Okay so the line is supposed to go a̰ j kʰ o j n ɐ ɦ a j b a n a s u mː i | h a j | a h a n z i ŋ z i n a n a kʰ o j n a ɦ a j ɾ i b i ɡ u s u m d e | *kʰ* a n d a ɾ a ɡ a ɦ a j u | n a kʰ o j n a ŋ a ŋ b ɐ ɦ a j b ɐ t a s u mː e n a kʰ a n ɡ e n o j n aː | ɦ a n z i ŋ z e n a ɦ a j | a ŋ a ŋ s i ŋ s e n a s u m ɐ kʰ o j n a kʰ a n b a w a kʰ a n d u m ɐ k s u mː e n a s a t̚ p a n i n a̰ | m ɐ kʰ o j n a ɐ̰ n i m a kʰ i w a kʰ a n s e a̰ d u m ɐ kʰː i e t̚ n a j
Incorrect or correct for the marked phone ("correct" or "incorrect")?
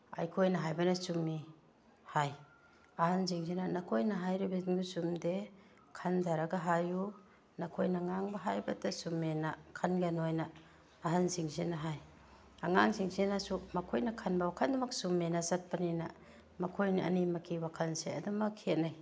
correct